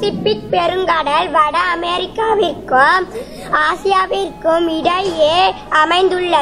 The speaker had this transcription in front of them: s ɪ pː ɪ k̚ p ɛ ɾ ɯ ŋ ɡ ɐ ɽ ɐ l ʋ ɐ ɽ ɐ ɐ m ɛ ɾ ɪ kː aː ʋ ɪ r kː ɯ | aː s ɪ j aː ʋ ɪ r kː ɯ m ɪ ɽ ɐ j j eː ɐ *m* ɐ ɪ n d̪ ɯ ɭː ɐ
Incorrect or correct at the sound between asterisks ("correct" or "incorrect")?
correct